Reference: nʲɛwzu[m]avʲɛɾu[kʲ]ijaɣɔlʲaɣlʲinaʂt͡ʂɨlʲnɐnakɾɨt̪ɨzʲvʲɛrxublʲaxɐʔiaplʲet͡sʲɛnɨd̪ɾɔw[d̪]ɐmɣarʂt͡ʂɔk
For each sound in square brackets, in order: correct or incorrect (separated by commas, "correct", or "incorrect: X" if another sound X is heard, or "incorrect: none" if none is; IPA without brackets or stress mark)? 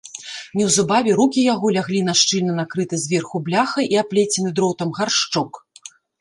incorrect: b, correct, incorrect: t̪